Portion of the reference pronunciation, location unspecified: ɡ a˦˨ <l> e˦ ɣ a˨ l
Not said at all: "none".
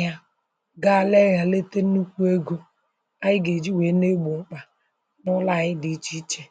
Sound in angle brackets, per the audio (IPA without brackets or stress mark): l